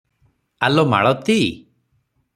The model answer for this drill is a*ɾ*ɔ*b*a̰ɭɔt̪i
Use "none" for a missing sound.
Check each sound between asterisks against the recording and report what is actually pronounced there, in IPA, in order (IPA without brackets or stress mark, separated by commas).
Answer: l, m